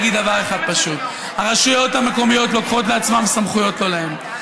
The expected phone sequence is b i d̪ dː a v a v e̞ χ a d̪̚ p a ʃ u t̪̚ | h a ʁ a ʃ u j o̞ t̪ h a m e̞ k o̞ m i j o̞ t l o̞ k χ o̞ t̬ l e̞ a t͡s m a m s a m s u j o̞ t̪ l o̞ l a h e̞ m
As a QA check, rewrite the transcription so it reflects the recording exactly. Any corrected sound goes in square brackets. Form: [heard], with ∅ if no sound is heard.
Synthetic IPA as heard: [ɡ] i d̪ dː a v a [ʁ] e̞ χ a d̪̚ p a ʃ u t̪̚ | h a ʁ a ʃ u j o̞ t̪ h a m e̞ k o̞ m i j o̞ t l o̞ k χ o̞ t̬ l e̞ a t͡s m a m s a m [χ] u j o̞ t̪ l o̞ l a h e̞ m